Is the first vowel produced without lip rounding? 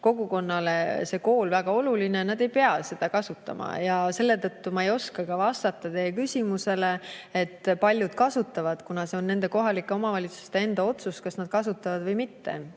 no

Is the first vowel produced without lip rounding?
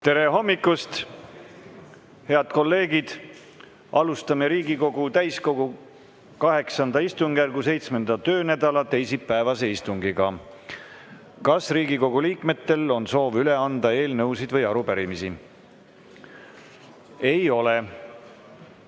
yes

